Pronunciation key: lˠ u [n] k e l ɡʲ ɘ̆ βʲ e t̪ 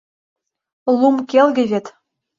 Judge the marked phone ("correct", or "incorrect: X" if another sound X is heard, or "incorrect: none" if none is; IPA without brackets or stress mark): incorrect: m